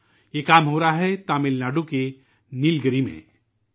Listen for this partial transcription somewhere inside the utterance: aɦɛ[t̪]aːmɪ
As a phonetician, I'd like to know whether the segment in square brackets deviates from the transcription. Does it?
no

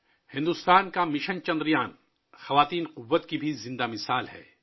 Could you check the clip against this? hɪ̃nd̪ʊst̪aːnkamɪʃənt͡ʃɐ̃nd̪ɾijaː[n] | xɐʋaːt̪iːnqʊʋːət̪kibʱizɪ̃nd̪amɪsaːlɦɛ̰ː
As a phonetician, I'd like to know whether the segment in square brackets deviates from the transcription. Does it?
no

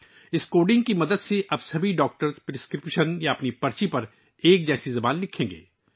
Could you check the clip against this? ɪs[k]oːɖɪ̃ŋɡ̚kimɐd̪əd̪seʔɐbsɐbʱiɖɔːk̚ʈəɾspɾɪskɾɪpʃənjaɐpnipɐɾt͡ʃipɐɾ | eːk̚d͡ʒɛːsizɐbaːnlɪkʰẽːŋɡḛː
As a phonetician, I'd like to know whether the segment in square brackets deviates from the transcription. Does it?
no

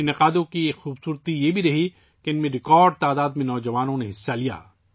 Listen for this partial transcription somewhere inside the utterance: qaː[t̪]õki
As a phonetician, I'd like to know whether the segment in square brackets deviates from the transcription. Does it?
yes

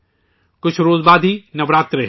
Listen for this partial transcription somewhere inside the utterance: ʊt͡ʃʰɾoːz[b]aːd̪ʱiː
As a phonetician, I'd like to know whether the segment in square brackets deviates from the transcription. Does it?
no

